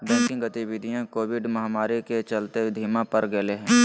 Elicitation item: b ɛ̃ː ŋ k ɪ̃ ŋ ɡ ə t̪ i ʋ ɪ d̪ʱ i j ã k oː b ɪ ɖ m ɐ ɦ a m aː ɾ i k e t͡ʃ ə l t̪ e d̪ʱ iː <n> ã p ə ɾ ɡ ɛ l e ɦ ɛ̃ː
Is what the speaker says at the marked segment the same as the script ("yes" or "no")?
no